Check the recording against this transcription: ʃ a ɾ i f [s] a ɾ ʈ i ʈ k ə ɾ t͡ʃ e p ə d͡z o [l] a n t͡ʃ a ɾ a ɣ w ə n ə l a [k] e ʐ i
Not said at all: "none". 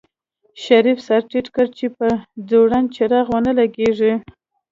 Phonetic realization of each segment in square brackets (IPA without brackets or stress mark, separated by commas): s, ɽ, ɡ